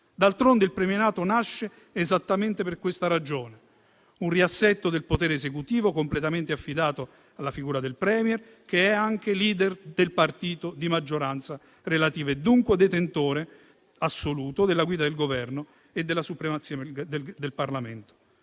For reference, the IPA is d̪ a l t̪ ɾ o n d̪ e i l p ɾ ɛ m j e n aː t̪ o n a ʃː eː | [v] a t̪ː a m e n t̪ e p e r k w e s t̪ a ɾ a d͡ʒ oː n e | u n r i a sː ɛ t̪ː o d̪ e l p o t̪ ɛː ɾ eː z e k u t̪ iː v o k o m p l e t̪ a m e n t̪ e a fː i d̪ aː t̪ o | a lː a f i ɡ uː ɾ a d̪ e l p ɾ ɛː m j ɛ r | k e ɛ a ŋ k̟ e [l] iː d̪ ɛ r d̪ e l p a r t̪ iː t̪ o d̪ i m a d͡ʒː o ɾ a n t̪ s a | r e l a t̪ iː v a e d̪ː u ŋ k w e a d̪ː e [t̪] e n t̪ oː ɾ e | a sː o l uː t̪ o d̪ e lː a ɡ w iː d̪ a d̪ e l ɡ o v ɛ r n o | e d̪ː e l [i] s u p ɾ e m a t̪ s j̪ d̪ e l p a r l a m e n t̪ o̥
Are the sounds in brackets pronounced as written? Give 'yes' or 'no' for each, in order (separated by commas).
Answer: no, yes, yes, no